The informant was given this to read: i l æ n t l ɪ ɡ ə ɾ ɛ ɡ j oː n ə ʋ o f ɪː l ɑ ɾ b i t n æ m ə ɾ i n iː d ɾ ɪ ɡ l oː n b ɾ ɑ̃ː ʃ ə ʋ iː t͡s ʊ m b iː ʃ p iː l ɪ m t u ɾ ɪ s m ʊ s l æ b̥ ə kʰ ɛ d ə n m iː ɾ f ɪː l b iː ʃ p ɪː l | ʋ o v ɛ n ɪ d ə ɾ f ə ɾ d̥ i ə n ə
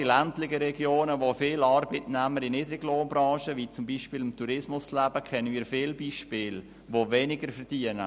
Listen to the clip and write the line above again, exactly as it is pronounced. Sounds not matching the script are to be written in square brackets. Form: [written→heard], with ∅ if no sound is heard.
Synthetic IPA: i l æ n t l ɪ ɡ ə ɾ ɛ ɡ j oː n ə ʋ o f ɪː l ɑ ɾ b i t n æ m ə ɾ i n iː d ɾ ɪ ɡ l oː n b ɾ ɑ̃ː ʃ ə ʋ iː t͡s ʊ m b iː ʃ p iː l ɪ m t u ɾ ɪ s m ʊ s l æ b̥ ə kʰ ɛ [d→n] ə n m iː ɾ f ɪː l b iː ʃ p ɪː l | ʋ o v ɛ n ɪ [d→ɡ] ə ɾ f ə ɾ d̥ i ə n ə